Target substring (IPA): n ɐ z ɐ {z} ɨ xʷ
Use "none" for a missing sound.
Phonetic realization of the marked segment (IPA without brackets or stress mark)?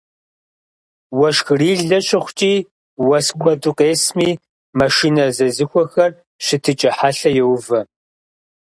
z